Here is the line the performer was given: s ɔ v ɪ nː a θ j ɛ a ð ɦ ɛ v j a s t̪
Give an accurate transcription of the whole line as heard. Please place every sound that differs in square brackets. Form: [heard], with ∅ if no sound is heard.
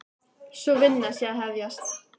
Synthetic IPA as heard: s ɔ v ɪ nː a [s] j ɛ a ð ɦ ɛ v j a s t̪